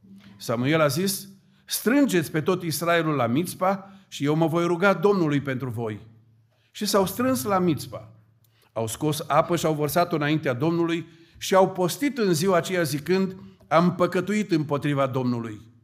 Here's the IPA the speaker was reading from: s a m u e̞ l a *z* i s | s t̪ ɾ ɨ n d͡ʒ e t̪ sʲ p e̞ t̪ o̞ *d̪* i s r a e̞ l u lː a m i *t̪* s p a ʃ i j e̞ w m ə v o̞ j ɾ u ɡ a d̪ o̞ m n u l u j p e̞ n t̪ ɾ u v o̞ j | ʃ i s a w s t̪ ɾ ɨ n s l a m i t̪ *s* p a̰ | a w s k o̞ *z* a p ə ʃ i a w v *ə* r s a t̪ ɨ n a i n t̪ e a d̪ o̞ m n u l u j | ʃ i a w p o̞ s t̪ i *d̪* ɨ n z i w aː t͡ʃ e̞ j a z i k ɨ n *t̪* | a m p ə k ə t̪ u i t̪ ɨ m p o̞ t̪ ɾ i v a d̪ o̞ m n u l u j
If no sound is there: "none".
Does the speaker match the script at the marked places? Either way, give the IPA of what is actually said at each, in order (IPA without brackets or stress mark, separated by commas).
z, t̪, t̪, s, s, ə, t̪, d̪